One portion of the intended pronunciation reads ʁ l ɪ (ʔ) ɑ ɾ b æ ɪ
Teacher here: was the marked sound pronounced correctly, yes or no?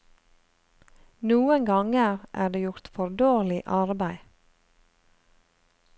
yes